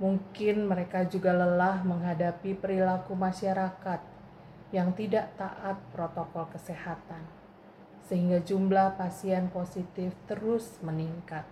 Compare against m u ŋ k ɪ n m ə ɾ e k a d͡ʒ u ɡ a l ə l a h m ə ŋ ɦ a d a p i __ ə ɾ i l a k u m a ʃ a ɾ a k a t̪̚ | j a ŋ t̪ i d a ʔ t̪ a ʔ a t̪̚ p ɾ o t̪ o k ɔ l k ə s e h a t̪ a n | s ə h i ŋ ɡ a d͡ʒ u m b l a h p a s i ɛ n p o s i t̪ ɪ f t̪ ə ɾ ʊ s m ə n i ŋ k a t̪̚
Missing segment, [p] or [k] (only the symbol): p